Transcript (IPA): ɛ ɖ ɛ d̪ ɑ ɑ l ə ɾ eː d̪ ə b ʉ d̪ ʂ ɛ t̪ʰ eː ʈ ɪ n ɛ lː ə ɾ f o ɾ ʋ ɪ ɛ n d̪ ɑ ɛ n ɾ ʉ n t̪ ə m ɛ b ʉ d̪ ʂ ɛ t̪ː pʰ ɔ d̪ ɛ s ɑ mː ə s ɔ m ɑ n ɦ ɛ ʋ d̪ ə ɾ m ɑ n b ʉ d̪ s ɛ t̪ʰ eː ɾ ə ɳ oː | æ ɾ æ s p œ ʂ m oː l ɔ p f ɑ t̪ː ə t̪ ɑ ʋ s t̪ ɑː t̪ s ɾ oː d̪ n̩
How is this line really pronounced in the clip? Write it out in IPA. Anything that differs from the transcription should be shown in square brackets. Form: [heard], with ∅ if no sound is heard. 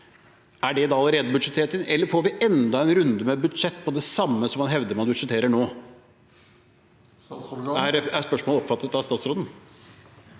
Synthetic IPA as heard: [æ] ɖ ɛ d̪ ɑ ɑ l ə ɾ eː d̪ ə b ʉ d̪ ʂ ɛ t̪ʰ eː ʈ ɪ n ɛ lː ə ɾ f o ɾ ʋ ɪ ɛ n d̪ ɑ ɛ n ɾ ʉ n [d̪] ə m ɛ b ʉ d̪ ʂ ɛ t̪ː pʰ ɔ d̪ ɛ s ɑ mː ə s ɔ m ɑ n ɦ ɛ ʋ d̪ ə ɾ m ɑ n b ʉ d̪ [ʂ] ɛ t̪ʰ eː ɾ ə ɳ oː | æ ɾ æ s p œ ʂ m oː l ɔ p f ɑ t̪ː ə t̪ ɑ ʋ s t̪ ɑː t̪ s ɾ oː d̪ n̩